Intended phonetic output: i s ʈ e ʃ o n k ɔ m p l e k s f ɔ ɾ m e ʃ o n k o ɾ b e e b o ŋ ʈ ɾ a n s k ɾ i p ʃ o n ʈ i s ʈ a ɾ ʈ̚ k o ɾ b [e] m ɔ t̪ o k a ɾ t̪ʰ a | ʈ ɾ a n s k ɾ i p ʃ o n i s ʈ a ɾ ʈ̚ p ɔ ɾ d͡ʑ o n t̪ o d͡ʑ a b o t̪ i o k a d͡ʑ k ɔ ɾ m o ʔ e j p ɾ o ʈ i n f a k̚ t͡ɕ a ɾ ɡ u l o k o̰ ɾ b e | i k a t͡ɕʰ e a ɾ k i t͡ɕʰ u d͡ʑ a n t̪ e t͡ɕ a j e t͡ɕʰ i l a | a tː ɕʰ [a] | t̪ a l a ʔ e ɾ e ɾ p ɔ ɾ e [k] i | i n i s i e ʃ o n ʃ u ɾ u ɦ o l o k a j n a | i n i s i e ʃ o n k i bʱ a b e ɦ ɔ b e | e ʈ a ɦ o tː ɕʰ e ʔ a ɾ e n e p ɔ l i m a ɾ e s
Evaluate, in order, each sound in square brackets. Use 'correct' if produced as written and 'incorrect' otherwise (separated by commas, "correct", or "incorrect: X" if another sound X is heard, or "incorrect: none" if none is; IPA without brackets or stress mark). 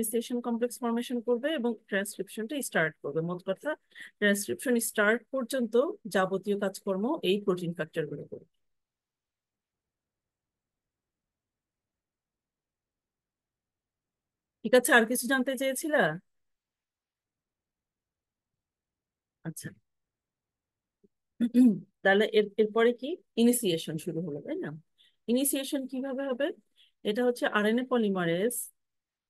correct, correct, correct